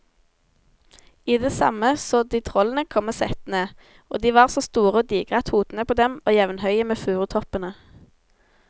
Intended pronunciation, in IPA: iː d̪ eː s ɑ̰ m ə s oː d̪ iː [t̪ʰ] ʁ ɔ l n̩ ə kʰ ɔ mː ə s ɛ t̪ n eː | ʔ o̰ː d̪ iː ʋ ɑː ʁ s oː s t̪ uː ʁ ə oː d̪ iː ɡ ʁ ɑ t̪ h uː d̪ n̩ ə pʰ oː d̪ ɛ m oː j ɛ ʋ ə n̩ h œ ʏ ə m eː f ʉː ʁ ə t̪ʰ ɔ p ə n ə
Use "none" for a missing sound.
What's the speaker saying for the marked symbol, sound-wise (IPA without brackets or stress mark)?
t̪ʰ